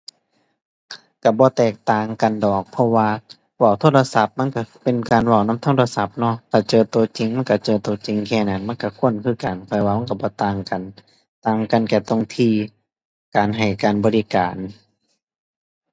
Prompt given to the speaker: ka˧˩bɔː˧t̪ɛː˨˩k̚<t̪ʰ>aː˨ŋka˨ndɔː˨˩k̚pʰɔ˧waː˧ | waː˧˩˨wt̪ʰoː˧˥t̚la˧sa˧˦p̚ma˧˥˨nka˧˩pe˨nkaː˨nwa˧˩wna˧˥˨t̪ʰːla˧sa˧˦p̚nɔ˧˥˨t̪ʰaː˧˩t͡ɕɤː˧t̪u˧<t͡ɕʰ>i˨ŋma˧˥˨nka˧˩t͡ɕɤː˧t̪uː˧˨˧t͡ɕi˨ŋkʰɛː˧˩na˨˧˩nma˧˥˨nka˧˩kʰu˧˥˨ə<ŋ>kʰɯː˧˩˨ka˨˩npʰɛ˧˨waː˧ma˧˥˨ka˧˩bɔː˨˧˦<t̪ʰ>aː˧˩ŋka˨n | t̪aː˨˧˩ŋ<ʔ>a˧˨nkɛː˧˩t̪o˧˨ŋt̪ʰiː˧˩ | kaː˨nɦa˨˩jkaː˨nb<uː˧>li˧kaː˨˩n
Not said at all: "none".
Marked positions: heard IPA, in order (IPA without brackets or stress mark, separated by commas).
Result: t̪, t͡ɕ, n, t̪, k, ɔː˧